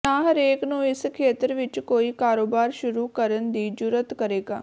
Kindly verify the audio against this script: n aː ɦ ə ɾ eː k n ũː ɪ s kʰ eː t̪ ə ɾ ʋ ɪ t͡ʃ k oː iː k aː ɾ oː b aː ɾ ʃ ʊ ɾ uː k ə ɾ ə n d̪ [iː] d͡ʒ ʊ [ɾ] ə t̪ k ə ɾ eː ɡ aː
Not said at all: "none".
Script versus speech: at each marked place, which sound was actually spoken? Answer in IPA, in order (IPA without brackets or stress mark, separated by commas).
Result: iː, ɾ